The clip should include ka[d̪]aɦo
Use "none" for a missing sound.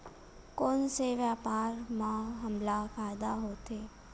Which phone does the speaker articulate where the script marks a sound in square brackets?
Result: d̪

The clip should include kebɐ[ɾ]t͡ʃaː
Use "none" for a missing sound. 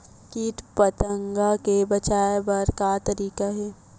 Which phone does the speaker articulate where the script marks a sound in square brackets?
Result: none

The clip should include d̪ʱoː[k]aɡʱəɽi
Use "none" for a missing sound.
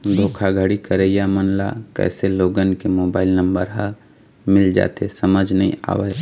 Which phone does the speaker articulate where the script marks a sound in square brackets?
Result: kʰ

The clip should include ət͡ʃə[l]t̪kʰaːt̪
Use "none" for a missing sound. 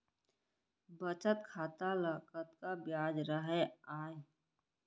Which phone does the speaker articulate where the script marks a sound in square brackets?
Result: none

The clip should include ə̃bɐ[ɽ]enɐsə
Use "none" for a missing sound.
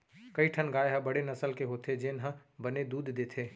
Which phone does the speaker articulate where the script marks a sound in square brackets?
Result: ɽ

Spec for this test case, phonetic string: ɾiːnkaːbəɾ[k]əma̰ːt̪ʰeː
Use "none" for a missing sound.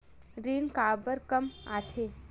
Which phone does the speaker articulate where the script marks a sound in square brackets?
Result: k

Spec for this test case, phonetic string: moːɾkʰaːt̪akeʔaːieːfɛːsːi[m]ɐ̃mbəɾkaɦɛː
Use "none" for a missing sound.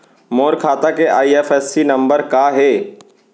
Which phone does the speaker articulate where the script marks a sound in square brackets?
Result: n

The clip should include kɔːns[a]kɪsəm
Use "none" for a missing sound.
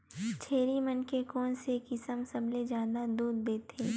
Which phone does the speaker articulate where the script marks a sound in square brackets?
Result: e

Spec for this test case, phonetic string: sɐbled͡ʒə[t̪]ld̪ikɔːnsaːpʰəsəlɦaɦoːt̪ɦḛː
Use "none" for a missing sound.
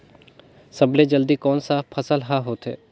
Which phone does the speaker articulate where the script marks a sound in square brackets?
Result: none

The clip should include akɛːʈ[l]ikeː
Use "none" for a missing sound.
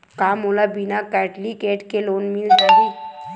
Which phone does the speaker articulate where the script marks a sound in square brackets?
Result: l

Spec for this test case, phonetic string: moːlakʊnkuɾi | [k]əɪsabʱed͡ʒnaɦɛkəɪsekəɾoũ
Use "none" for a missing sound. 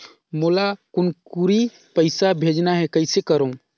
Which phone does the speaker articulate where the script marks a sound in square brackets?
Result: p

